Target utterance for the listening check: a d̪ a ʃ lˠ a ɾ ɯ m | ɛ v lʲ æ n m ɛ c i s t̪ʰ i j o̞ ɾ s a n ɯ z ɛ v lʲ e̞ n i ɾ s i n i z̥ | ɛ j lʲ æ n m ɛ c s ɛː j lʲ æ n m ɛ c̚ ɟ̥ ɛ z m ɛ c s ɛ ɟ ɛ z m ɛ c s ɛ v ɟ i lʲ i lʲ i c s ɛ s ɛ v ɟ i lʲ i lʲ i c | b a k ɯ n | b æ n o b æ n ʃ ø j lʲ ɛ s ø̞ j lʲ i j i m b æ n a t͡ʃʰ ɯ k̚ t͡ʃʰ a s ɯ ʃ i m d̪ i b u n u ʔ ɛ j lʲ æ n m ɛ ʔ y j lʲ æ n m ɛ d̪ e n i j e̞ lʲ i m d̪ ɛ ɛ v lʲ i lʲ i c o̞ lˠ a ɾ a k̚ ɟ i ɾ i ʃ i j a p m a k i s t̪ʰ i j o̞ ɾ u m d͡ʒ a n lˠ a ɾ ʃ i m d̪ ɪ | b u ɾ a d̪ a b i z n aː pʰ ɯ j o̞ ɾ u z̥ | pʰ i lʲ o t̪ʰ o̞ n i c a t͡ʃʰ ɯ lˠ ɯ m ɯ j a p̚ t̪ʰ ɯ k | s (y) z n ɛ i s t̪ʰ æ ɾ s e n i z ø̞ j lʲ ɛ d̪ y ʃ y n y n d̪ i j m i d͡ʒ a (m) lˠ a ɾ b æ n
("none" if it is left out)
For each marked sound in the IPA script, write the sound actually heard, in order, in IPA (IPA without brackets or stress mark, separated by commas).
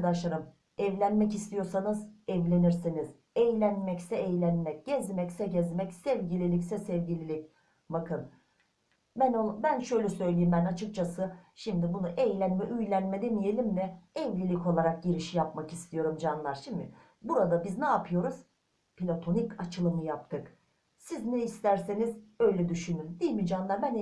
i, n